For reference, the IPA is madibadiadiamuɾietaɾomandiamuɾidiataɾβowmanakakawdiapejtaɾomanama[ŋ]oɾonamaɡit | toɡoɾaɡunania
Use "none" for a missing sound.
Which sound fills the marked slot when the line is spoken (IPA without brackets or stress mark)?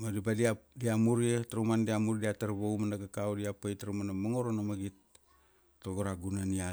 ŋ